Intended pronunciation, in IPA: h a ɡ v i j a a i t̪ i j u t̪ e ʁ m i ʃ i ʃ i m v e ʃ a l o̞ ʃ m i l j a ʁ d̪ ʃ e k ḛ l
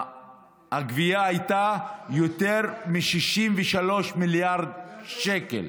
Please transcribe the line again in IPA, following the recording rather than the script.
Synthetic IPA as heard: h a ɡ v i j a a j t̪ a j o t̪ e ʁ m i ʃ i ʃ i m v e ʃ a l o̞ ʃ m i l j a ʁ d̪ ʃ e k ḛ l